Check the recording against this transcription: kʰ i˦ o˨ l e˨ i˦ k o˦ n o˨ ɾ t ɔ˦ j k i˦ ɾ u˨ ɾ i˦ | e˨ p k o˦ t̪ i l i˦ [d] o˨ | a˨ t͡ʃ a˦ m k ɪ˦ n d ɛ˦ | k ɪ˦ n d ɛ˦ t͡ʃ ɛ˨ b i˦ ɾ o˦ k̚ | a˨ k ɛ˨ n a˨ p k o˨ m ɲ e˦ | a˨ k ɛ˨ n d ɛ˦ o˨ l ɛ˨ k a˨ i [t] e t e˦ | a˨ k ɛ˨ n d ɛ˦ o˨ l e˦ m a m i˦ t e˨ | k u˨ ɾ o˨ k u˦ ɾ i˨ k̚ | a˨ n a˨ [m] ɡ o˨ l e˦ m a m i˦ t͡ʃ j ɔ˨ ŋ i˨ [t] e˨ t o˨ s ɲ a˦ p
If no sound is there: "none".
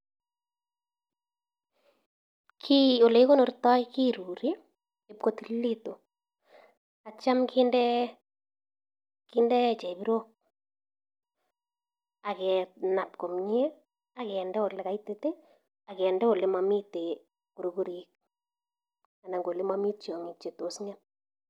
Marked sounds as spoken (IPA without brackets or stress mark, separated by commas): t, t, ŋ, t͡ʃ